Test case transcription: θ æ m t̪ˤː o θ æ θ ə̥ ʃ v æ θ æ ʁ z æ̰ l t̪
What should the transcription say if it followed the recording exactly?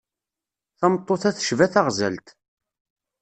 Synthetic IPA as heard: θ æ m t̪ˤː o θ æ θ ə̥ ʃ v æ θ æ ʁ z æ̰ l t̪